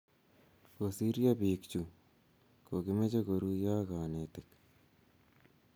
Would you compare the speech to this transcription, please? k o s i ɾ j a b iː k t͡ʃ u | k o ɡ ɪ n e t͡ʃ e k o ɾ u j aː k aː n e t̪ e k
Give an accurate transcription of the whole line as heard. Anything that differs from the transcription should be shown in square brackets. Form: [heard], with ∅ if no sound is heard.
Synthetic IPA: k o s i ɾ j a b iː k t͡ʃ u | k o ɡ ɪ [m] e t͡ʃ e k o ɾ u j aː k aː n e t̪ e k